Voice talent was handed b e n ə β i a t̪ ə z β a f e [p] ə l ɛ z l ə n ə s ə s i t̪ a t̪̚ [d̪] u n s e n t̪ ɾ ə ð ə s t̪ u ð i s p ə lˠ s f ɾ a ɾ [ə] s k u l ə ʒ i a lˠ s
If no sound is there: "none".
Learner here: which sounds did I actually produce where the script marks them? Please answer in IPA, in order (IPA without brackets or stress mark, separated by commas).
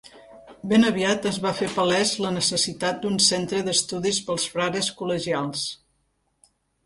p, d̪, ə